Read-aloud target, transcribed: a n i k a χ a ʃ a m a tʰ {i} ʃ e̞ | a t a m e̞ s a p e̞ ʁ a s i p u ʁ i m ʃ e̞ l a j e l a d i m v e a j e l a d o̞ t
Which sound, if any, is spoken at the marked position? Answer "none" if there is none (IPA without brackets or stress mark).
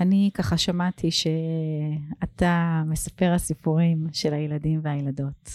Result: i